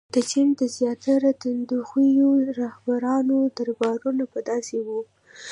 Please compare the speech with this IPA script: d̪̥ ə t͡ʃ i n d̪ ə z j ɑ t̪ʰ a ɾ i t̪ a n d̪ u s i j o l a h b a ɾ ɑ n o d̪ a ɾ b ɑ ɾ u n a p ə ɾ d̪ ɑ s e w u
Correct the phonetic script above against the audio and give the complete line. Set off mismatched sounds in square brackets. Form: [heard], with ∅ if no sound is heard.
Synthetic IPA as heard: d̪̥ ə t͡ʃ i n d̪ ə z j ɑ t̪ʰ a ɾ [a] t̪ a n d̪ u [x] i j o [ɾ] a h b a ɾ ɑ n o d̪ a ɾ b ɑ ɾ u n a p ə [∅] d̪ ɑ s e w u